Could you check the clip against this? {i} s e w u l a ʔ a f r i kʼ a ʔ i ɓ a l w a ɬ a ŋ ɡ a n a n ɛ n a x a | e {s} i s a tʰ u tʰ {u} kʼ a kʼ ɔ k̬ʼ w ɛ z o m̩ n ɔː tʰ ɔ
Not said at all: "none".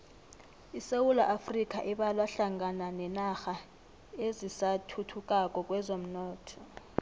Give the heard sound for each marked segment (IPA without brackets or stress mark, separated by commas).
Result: i, z, u